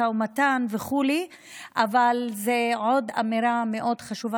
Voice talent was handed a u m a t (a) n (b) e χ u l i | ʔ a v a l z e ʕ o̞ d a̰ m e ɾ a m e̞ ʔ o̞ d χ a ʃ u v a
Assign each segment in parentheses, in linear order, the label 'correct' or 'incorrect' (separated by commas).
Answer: correct, incorrect